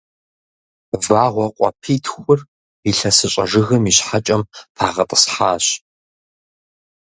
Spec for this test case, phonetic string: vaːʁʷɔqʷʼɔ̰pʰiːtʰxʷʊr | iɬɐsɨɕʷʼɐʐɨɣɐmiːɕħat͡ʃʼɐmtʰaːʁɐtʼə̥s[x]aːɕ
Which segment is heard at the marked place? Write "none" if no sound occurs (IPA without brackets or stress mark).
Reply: ħ